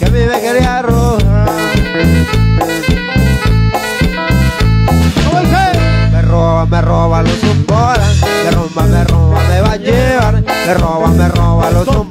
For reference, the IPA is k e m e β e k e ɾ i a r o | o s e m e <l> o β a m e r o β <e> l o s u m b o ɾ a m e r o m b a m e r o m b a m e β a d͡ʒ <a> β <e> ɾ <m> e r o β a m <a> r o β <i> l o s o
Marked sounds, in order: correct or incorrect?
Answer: incorrect: r, incorrect: a, incorrect: e, incorrect: a, correct, incorrect: e, incorrect: a

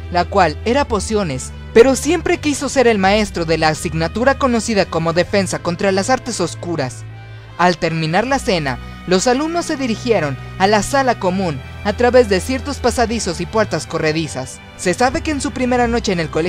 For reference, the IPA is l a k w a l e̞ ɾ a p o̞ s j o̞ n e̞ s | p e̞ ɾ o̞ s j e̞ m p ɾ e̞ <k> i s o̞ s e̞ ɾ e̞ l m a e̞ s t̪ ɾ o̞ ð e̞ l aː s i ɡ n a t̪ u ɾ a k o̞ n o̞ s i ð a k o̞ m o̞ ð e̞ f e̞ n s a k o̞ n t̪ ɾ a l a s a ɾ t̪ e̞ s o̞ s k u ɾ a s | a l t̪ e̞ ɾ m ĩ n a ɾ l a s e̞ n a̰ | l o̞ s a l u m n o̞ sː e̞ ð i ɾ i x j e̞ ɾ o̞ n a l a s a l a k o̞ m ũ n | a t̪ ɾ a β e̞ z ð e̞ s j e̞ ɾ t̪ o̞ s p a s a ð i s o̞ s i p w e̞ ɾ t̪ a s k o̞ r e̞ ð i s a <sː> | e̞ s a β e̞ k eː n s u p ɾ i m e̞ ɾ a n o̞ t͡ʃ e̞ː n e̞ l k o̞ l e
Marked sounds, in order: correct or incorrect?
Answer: correct, correct

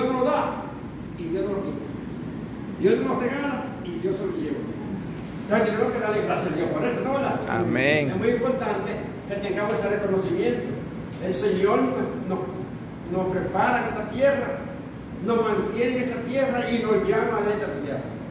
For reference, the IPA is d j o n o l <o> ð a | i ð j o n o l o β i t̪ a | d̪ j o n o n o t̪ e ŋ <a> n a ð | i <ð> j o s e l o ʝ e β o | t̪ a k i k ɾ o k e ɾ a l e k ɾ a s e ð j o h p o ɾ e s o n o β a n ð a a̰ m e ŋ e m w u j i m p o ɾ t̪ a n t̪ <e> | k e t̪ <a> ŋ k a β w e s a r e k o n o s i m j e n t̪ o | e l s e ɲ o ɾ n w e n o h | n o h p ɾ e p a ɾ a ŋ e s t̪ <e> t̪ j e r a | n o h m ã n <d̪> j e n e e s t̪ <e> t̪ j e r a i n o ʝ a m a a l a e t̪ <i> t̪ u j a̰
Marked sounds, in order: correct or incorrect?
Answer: correct, correct, correct, correct, incorrect: e, incorrect: a, incorrect: t̪, incorrect: a, incorrect: a

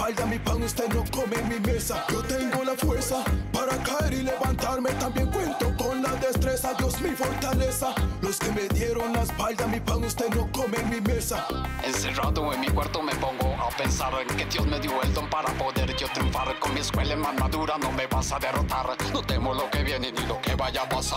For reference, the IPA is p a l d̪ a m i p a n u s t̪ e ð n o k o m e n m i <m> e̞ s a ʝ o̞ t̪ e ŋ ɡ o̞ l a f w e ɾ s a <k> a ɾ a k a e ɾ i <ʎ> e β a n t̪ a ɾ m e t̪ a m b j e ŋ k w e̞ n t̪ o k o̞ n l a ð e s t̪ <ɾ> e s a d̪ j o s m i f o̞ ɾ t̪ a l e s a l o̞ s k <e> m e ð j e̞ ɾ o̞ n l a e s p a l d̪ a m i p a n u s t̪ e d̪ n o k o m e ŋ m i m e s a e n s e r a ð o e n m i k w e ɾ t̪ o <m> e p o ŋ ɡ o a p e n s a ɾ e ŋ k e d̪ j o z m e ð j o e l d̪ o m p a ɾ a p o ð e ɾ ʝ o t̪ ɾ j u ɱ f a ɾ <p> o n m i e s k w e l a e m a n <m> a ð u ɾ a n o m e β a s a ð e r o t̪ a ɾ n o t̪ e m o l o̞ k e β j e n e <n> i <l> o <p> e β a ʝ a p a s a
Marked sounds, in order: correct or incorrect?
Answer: correct, incorrect: p, incorrect: l, correct, correct, correct, incorrect: k, correct, correct, correct, incorrect: k

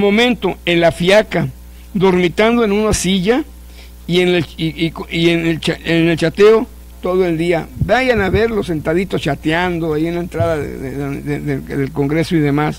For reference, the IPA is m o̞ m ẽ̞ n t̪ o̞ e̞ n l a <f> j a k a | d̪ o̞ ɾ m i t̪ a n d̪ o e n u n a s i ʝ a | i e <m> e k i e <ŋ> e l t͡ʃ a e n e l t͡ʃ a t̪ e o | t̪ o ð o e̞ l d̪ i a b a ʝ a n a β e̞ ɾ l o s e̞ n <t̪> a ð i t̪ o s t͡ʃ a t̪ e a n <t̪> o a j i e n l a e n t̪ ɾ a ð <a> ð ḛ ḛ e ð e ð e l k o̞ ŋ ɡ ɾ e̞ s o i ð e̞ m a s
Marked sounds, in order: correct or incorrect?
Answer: correct, incorrect: n, incorrect: n, correct, incorrect: d̪, correct

